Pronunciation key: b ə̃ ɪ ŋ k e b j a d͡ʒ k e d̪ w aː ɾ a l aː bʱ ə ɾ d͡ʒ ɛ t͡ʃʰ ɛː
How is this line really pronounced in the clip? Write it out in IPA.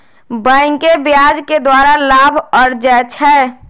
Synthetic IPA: b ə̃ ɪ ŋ k e b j a d͡ʒ k e d̪ w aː ɾ a l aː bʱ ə ɾ d͡ʒ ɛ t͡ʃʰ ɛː